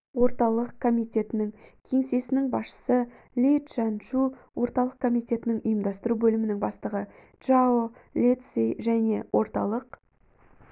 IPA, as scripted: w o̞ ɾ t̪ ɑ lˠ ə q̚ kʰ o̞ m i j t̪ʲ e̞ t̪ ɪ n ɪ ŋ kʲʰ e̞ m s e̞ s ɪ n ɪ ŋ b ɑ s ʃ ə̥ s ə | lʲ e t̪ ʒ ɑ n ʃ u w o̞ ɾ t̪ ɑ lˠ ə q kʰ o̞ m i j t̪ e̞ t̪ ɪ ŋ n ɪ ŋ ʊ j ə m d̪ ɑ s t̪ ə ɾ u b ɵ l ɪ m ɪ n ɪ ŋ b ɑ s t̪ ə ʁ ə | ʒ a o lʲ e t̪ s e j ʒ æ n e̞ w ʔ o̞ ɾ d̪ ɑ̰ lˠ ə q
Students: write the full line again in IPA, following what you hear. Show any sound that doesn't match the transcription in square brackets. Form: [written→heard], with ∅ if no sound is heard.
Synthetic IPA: w o̞ ɾ t̪ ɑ lˠ ə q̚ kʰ o̞ m i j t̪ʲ e̞ t̪ ɪ n ɪ ŋ kʲʰ e̞ [m→ŋ] s e̞ s ɪ n ɪ ŋ b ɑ s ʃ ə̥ s ə | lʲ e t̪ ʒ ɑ n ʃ u w o̞ ɾ t̪ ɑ lˠ ə q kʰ o̞ m i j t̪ e̞ t̪ ɪ [ŋ→∅] n ɪ ŋ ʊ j ə m d̪ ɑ s t̪ ə ɾ u b ɵ l ɪ m ɪ n ɪ ŋ b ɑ s t̪ ə ʁ ə | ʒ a o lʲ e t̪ s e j ʒ æ n e̞ w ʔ o̞ ɾ [d̪→t̪] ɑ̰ lˠ ə q

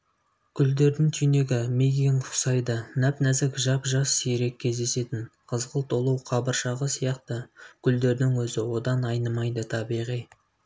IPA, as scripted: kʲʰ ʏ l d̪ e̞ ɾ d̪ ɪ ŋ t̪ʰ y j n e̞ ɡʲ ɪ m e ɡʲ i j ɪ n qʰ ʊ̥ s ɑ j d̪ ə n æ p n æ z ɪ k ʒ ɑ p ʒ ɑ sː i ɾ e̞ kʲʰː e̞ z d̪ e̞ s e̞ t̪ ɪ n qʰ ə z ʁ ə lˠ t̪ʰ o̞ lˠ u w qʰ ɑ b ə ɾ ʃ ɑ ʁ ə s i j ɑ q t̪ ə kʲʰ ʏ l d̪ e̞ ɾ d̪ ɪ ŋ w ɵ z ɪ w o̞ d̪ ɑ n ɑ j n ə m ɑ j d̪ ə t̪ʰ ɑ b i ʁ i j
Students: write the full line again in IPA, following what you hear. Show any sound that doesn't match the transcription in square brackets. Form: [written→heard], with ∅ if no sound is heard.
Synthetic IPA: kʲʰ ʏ l d̪ e̞ ɾ d̪ ɪ ŋ t̪ʰ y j n e̞ ɡʲ ɪ m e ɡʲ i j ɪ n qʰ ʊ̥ s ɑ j d̪ ə n æ p n æ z ɪ k ʒ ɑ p ʒ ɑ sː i ɾ e̞ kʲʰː e̞ z d̪ e̞ s e̞ t̪ ɪ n qʰ ə z ʁ ə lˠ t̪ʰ o̞ lˠ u w qʰ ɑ b ə ɾ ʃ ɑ ʁ ə s i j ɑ q t̪ ə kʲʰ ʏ l d̪ e̞ ɾ d̪ ɪ ŋ w ɵ z ɪ w o̞ d̪ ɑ n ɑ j n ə m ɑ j d̪ ə t̪ʰ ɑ b i ʁ i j

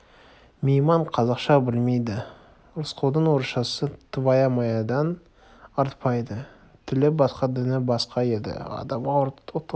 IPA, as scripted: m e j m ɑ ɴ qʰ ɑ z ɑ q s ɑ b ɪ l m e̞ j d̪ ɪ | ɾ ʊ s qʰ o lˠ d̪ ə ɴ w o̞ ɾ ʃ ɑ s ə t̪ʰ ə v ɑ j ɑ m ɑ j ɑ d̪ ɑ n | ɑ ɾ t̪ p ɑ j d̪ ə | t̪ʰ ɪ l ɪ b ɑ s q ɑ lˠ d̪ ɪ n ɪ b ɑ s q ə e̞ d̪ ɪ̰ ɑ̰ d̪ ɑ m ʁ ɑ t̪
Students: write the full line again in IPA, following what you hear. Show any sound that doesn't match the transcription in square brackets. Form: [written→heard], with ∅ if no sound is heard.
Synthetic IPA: m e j m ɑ ɴ qʰ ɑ z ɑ q [s→ʃ] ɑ b ɪ l m e̞ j d̪ ɪ | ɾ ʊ s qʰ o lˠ d̪ ə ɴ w o̞ ɾ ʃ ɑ s ə t̪ʰ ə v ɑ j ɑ m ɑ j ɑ d̪ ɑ n | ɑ ɾ t̪ p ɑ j d̪ ə | t̪ʰ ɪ l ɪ b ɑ s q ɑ [lˠ→∅] d̪ ɪ n ɪ b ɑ s q [ə→ɑ] e̞ d̪ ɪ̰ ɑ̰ d̪ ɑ m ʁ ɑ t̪

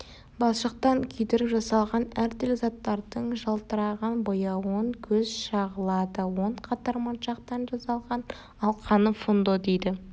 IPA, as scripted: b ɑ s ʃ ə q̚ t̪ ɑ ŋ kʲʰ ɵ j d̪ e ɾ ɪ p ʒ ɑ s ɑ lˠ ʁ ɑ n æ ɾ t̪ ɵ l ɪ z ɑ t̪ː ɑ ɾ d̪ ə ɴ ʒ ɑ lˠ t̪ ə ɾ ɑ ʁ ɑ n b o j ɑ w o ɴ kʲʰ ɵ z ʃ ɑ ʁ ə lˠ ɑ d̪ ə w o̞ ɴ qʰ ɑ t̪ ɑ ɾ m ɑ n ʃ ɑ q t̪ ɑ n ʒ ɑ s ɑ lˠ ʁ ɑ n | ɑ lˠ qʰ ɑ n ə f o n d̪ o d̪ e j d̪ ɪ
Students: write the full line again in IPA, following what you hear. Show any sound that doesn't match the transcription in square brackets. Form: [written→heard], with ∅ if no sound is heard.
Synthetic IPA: b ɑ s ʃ ə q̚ t̪ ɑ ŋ kʲʰ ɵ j d̪ e ɾ ɪ p ʒ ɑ s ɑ lˠ ʁ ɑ n æ ɾ t̪ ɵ l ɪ z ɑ t̪ː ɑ ɾ d̪ ə ɴ ʒ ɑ lˠ t̪ ə ɾ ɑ ʁ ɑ n b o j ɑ w o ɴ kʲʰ ɵ z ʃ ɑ ʁ ə lˠ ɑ d̪ ə w o̞ ɴ qʰ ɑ t̪ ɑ ɾ m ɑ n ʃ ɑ q t̪ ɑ n ʒ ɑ s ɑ lˠ ʁ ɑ n | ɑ lˠ qʰ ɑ n ə f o n d̪ o d̪ e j d̪ ɪ

